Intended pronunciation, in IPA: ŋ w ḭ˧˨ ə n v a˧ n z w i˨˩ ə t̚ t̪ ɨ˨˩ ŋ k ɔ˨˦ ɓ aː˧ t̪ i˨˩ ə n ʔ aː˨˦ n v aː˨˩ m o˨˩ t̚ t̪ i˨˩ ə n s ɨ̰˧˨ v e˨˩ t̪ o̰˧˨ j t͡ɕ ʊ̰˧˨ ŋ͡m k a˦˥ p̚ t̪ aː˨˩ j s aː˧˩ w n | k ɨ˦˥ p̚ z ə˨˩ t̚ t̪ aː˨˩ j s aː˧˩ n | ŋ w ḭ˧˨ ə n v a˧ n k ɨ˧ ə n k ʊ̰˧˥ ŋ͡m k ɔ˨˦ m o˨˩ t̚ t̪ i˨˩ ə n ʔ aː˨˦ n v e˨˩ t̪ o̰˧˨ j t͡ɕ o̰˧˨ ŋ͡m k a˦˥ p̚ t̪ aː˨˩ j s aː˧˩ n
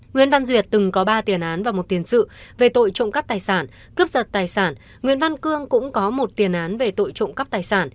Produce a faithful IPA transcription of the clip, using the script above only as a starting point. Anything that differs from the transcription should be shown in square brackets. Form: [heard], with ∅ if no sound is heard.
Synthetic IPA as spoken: ŋ w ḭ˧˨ ə n v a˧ n z w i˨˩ ə t̚ t̪ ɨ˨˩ ŋ k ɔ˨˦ ɓ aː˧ t̪ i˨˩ ə n ʔ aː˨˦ n v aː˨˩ m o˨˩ t̚ t̪ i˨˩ ə n s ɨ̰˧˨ v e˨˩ t̪ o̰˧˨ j t͡ɕ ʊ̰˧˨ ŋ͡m k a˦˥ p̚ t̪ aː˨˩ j s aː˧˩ [∅] n | k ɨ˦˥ p̚ z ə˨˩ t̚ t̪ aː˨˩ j s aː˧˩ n | ŋ w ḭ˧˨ ə n v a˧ n k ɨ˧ ə [ŋ] k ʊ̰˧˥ ŋ͡m k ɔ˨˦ m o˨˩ t̚ t̪ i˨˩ ə n ʔ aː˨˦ n v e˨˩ t̪ o̰˧˨ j t͡ɕ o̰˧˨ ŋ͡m k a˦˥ p̚ t̪ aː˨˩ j s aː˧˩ n